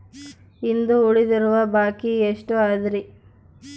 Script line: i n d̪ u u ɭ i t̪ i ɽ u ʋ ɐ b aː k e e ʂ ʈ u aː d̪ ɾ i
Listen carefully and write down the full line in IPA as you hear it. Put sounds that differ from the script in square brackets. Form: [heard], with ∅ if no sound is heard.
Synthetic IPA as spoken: i n d̪ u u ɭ i [d̪] i [ɾ] u ʋ ɐ b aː k [i] e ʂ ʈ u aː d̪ ɾ i